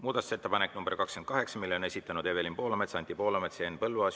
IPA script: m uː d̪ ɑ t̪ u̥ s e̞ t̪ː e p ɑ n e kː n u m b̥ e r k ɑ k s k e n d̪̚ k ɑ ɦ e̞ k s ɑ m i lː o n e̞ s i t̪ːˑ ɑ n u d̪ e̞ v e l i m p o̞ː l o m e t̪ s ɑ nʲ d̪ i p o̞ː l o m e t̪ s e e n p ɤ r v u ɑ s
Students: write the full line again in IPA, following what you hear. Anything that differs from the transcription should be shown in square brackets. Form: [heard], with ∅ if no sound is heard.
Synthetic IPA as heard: m uː d̪ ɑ t̪ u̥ s e̞ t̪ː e p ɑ n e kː n u m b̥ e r k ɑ k s k e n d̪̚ k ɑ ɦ e̞ k s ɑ m i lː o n e̞ s i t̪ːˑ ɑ n u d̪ e̞ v e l i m p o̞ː l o m e t̪ s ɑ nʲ [t̪] i p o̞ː l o m e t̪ s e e n p ɤ [l] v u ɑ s